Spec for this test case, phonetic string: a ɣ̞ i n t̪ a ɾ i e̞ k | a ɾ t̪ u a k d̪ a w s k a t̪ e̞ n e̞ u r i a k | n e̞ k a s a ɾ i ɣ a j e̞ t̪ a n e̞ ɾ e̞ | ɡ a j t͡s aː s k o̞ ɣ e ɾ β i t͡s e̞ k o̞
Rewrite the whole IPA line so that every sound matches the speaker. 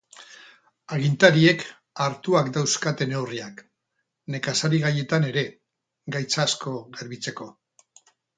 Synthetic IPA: a ɣ̞ i n t̪ a ɾ i e̞ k | a ɾ t̪ u a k d̪ a w s k a t̪ e̞ n e̞ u r i a k | n e̞ k a s a ɾ i ɣ a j e̞ t̪ a n e̞ ɾ e̞ | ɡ a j t͡s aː s k o̞ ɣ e ɾ β i t͡s e̞ k o̞